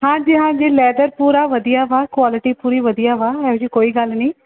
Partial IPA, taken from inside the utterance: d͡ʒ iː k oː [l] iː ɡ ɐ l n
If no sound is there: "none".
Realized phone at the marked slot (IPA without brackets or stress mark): none